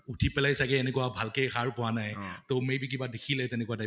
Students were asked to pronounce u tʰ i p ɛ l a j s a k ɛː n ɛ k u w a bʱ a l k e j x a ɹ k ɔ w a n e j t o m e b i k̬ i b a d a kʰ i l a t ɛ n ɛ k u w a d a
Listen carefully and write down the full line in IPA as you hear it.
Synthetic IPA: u tʰ i p ɛ l a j s a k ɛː n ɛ k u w a bʱ a l k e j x a ɹ p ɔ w a n a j t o m e b i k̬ i b a d e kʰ i l ɛ t ɛ n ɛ k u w a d a